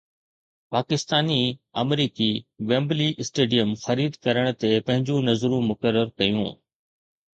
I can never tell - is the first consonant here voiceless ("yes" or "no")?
yes